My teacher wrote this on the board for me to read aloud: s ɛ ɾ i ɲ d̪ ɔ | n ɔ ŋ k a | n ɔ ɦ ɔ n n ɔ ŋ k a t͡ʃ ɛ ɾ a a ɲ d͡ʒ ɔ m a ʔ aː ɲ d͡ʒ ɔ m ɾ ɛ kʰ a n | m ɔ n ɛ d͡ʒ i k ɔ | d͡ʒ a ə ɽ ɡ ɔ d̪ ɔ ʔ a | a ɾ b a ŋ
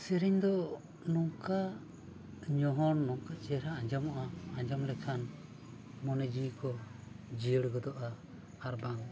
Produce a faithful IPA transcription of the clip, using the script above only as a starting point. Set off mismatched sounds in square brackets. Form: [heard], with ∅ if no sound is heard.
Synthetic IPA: s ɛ ɾ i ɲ d̪ ɔ | n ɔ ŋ k a | [ɲ] ɔ ɦ ɔ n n ɔ ŋ k a t͡ʃ ɛ ɾ a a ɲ d͡ʒ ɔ m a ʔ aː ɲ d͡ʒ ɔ m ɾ ɛ kʰ a n | m ɔ n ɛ d͡ʒ i k ɔ | d͡ʒ [i] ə ɽ ɡ ɔ d̪ ɔ ʔ a | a ɾ b a ŋ